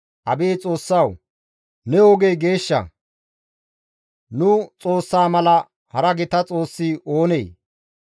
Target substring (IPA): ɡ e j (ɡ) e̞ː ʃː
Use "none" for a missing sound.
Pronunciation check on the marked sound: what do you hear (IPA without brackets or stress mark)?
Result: ɡ